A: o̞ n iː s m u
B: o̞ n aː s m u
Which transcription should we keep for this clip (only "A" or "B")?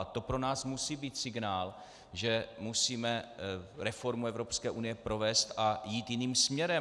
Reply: B